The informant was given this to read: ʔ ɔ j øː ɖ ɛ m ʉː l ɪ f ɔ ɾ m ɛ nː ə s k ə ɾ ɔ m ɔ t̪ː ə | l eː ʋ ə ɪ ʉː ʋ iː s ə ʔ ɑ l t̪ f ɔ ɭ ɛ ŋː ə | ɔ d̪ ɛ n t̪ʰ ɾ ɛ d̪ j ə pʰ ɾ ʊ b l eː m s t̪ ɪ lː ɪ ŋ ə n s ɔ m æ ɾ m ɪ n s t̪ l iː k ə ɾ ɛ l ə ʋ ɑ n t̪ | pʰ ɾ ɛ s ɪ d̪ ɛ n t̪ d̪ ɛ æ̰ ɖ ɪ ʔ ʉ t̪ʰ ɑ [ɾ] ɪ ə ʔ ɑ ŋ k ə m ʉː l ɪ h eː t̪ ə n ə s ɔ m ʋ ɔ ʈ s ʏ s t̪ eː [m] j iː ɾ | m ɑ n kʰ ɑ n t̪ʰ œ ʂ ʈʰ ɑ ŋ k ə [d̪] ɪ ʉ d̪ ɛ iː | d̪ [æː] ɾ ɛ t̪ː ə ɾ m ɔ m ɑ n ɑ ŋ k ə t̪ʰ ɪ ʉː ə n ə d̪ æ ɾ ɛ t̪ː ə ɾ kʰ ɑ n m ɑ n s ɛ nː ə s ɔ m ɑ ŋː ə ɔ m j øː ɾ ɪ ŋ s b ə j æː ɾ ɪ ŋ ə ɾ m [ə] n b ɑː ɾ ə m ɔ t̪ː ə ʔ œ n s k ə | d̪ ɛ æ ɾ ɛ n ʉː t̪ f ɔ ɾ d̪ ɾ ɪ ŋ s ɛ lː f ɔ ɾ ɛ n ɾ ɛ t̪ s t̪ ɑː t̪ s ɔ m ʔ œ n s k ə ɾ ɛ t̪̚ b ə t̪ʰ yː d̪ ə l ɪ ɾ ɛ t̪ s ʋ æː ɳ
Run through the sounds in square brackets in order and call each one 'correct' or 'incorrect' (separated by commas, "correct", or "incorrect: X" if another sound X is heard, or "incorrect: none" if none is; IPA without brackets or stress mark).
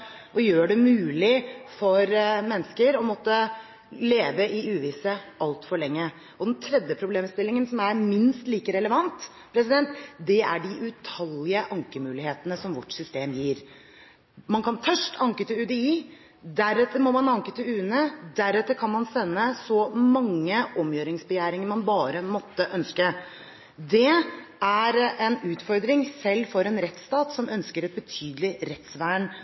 incorrect: l, correct, incorrect: t̪, incorrect: æ, incorrect: ɑ